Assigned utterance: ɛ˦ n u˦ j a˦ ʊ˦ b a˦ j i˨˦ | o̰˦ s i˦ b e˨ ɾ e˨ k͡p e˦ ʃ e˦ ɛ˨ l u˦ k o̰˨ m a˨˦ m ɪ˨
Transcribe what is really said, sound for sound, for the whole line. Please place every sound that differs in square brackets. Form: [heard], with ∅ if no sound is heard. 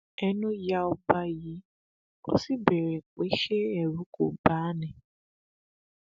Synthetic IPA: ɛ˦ n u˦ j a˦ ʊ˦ b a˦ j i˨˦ | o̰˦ s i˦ b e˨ ɾ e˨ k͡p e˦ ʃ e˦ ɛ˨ [ɾ] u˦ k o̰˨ [b] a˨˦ [n] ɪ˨